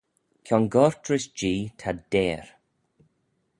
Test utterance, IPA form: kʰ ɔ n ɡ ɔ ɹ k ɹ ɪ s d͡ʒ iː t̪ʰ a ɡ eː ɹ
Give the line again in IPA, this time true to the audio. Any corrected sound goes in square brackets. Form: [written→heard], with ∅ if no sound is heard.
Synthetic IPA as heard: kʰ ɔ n ɡ ɔ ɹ [k→t] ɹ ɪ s d͡ʒ iː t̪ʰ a [ɡ→d] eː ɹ